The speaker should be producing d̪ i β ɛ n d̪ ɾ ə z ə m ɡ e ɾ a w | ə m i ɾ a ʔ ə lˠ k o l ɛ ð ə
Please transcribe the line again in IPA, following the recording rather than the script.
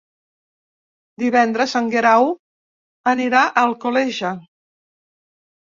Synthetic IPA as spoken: d̪ i β ɛ n d̪ ɾ ə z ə ŋ ɡ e ɾ a w | ə n i ɾ a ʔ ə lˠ k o l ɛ ʒ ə